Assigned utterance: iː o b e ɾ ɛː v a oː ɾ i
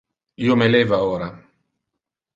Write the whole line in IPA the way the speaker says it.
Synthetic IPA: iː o m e l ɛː v a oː ɾ a